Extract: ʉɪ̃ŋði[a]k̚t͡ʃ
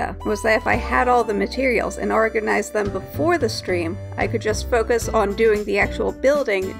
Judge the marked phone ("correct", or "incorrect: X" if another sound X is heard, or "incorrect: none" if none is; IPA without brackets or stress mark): incorrect: æ